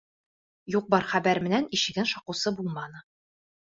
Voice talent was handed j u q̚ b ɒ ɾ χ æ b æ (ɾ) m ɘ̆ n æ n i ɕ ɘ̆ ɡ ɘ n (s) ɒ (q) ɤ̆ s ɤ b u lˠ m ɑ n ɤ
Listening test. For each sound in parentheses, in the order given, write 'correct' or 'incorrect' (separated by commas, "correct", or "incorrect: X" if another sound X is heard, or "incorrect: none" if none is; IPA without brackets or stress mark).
correct, incorrect: ʃ, correct